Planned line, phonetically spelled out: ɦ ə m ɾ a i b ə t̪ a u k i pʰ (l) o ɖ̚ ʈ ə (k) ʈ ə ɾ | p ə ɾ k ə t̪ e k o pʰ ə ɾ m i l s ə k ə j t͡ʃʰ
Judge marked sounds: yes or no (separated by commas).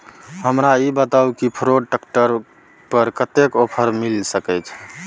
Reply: no, yes